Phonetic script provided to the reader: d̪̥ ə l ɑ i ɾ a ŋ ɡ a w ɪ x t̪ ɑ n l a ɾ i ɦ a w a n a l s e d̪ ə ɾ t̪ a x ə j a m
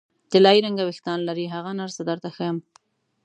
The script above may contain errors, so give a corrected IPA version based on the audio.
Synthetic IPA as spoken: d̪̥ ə l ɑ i ɾ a ŋ ɡ a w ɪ x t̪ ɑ n l a ɾ i ɦ a ɣ a n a ɾ s a d̪ ə ɾ t̪ a x ə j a m